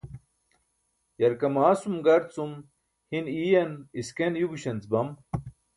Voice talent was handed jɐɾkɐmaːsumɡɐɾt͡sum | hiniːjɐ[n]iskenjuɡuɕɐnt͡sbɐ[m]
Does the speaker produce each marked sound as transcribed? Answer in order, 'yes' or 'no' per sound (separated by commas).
yes, yes